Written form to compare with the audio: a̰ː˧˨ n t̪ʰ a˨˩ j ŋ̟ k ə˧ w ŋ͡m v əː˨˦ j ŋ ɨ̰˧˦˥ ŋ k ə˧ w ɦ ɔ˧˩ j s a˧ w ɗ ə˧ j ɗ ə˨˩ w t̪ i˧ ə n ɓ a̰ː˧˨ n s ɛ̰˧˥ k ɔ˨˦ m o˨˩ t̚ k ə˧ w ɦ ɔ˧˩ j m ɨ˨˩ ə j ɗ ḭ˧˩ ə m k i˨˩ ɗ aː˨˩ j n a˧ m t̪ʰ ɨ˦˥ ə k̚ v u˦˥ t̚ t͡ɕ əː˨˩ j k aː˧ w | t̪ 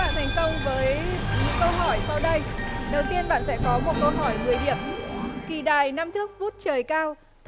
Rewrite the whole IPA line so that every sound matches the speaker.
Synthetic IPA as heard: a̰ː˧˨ n t̪ʰ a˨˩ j ŋ̟ k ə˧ w ŋ͡m v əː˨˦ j ɲ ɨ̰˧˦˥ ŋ k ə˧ w ɦ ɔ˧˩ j s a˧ w ɗ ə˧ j ɗ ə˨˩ w t̪ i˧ ə n ɓ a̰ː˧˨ n s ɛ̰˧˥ k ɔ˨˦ m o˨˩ t̚ k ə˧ w ɦ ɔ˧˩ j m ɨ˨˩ ə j ɗ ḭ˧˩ ə m k i˨˩ ɗ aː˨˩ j n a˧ m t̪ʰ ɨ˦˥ ə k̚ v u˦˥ t̚ t͡ɕ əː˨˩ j k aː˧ w | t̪